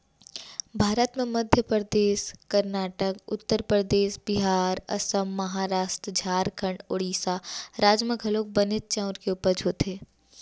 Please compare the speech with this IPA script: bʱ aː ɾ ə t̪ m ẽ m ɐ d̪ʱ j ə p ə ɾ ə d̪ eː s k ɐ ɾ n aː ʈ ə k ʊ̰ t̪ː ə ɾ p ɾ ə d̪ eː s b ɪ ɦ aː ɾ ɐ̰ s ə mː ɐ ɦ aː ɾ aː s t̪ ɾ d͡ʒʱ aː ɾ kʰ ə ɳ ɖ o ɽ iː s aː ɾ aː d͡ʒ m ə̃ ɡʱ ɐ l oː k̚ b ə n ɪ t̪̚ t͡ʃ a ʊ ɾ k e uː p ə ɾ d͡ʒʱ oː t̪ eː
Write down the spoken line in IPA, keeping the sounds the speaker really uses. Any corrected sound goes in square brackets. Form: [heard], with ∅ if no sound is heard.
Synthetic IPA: bʱ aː ɾ ə t̪ m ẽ m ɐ d̪ʱ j ə p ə ɾ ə d̪ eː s k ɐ ɾ n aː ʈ ə k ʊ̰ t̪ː ə ɾ p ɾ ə d̪ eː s b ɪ ɦ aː ɾ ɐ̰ s ə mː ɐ ɦ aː ɾ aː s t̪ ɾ d͡ʒʱ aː ɾ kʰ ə ɳ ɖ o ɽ iː s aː ɾ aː d͡ʒ m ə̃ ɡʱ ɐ l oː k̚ b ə n ɪ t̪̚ t͡ʃ a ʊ ɾ k e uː p ə ɾ d͡ʒʱ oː t̪ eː